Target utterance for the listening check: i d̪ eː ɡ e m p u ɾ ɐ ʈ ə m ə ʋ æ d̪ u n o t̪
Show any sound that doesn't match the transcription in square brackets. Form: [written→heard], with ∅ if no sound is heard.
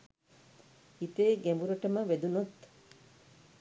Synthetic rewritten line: i [d̪→t̪] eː ɡ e m [p→b] u ɾ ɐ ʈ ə m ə ʋ [æ→e] d̪ u n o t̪